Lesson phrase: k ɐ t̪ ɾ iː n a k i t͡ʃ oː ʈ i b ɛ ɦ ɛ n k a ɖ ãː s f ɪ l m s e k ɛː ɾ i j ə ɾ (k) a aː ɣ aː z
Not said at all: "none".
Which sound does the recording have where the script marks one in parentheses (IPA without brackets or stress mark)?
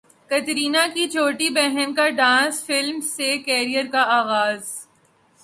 k